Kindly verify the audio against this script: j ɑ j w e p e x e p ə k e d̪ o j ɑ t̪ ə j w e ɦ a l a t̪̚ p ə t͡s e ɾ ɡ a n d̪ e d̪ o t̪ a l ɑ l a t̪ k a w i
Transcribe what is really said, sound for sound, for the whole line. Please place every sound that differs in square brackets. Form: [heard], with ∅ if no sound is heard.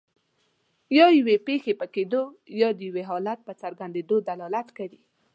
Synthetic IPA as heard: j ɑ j w e p e x e p ə k e d̪ o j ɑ [d̪] ə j w e ɦ [ɑ] l a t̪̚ p ə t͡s [a] ɾ ɡ a n d̪ e d̪ o [d̪] a l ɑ l a t̪ k a w i